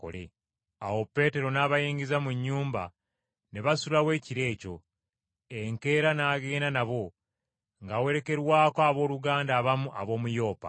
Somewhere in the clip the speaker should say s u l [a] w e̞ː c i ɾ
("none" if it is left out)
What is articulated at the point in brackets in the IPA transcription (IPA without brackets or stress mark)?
a